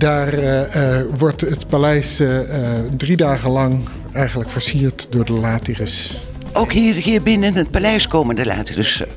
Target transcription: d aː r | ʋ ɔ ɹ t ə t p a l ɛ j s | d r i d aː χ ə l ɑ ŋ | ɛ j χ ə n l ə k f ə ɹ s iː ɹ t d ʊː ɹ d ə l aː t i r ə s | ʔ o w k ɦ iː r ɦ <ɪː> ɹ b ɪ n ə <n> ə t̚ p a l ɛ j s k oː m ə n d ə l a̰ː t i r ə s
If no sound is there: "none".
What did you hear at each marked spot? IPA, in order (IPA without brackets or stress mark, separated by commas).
iː, n